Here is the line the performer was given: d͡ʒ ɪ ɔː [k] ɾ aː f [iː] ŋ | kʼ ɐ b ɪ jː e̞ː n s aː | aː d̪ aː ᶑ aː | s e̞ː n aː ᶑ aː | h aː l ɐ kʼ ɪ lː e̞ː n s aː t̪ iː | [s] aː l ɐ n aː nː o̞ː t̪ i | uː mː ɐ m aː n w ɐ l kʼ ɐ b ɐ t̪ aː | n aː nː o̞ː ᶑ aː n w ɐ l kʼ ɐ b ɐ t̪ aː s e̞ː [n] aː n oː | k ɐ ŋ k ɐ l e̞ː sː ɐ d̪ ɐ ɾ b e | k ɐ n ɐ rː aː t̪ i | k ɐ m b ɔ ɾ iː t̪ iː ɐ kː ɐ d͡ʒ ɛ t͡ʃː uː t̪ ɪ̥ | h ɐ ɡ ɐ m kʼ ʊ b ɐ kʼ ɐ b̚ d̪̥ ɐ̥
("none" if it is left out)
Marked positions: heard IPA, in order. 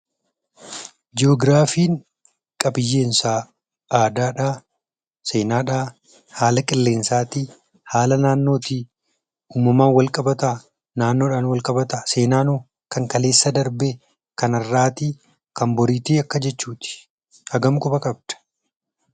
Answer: ɡ, iː, h, n

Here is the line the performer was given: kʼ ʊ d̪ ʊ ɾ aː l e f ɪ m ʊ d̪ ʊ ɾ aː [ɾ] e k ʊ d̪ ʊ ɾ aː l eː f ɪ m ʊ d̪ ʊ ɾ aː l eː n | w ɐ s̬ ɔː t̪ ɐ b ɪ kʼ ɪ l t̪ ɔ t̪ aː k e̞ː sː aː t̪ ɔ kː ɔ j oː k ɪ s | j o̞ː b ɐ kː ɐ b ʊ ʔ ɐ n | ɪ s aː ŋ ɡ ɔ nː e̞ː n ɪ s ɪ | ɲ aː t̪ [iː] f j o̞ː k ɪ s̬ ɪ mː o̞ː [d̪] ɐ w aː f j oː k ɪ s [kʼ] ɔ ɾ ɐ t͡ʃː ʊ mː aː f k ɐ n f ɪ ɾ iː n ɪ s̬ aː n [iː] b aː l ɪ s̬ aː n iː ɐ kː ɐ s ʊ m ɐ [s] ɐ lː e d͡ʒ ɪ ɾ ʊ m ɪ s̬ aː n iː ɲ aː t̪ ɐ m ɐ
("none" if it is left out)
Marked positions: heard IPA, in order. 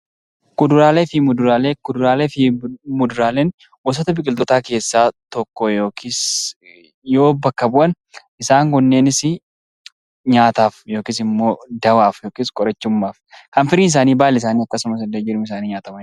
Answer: l, aː, d̪, kʼ, iː, s

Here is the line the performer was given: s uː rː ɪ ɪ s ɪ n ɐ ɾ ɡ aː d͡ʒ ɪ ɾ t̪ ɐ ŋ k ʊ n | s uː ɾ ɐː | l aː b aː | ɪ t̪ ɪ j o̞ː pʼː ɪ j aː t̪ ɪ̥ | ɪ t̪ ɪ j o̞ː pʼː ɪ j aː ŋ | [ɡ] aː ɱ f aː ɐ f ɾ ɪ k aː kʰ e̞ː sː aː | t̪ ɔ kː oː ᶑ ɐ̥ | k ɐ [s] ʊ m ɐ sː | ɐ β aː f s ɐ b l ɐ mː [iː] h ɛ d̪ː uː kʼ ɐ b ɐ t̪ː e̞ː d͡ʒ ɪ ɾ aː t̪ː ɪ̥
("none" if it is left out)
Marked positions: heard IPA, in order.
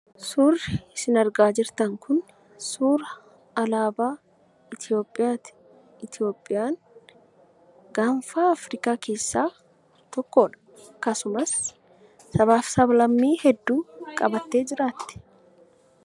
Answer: ɡ, s, iː

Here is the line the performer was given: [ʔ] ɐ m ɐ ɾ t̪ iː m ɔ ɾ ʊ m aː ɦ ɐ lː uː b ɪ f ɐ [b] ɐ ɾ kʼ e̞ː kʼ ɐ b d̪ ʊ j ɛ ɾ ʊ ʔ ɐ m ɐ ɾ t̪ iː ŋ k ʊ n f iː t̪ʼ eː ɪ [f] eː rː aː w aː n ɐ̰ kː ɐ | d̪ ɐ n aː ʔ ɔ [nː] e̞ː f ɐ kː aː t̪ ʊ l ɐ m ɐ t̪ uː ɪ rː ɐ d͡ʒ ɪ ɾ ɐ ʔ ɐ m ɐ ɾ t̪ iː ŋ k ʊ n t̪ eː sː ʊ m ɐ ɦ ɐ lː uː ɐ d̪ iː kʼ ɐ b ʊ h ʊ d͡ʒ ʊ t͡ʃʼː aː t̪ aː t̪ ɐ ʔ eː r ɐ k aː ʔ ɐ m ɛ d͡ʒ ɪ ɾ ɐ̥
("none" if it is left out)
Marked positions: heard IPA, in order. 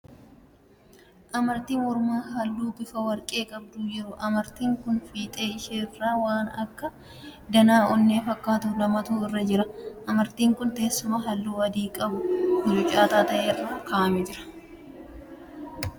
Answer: ʔ, w, ʃ, nː

